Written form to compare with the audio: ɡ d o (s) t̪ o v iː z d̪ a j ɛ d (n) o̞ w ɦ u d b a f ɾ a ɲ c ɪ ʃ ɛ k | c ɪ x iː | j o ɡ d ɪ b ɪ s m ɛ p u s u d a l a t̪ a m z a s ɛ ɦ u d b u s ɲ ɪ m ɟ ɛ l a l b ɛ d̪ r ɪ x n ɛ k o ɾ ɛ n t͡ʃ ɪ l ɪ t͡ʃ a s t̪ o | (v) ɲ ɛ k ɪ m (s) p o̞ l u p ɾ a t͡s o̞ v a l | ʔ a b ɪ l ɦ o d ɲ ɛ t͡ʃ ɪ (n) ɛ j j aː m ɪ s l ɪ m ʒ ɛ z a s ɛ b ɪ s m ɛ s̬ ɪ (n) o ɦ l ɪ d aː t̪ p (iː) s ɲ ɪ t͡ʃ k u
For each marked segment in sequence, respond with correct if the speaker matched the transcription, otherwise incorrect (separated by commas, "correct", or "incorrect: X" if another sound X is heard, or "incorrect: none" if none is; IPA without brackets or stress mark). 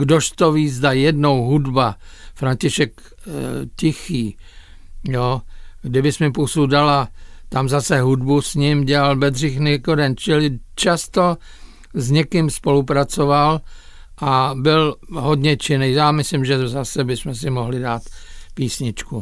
incorrect: ʃ, correct, incorrect: z, correct, correct, incorrect: m, correct